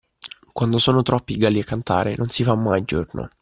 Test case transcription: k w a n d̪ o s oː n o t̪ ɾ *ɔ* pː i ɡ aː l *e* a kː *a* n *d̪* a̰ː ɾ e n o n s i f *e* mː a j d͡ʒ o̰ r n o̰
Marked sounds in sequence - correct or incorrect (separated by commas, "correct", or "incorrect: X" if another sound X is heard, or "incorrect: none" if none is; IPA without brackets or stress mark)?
correct, incorrect: i, correct, incorrect: t̪, incorrect: a